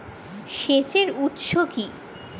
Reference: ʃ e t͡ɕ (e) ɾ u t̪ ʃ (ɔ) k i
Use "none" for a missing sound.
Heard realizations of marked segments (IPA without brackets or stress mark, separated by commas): e, o